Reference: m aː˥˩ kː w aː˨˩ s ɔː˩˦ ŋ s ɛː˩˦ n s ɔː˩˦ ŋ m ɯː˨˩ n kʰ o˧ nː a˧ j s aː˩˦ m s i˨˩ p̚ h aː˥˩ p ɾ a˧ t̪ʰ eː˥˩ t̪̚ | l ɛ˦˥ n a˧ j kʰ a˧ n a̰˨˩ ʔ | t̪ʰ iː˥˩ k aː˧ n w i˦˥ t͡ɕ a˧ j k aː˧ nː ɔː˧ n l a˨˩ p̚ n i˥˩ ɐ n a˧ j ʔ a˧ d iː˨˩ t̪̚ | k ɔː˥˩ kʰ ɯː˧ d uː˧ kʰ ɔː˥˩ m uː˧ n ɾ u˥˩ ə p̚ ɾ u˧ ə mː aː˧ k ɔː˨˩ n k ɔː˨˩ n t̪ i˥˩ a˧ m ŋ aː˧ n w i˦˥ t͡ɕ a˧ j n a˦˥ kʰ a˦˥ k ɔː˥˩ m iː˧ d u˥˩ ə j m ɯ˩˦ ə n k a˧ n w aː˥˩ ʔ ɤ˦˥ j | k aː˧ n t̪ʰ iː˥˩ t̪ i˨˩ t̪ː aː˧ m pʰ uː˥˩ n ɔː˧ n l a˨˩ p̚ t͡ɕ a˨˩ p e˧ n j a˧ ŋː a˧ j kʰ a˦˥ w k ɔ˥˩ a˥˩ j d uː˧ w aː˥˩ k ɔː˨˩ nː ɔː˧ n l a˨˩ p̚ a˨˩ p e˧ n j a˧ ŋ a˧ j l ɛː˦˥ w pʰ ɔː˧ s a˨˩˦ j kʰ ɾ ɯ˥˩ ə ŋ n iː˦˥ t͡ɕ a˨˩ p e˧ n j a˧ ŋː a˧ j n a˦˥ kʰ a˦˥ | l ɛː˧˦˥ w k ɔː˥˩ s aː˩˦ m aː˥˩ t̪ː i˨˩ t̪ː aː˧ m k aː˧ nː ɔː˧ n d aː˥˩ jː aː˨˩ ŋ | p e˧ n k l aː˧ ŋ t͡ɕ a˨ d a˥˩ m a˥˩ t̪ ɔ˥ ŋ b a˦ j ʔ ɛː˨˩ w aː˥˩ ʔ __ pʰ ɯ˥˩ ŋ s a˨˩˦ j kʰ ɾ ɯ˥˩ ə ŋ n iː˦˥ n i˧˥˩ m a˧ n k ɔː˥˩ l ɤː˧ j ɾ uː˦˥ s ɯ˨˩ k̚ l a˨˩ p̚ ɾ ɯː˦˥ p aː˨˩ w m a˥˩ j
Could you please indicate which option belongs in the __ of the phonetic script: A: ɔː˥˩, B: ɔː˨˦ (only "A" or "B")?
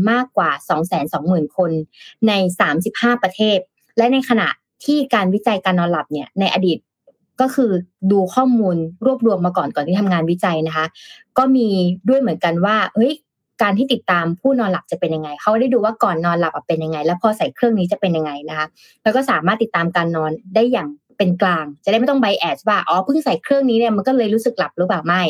B